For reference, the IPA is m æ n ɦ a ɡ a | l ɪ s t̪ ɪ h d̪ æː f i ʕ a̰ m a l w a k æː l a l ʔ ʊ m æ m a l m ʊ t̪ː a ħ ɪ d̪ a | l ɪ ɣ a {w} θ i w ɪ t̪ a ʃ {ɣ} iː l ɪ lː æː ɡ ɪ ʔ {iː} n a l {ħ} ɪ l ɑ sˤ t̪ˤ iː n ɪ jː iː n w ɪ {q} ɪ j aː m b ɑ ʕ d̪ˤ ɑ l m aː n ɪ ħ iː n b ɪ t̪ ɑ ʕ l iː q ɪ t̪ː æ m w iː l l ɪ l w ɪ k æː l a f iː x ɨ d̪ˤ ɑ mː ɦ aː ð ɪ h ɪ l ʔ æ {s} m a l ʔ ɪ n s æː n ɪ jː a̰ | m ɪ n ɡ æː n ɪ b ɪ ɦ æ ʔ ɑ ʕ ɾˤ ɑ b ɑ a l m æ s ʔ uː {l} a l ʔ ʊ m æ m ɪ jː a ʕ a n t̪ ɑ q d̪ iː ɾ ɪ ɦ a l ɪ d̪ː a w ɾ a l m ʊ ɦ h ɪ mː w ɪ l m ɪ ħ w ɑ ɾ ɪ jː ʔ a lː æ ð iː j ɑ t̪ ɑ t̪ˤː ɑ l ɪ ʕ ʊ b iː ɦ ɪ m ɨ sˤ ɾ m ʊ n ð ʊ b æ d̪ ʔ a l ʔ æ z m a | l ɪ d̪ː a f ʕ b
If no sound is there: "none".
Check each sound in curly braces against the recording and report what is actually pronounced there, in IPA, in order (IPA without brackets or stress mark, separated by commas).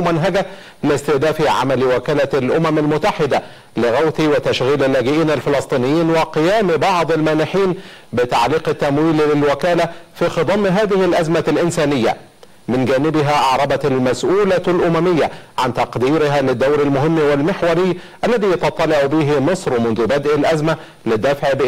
w, ɣ, iː, f, q, z, l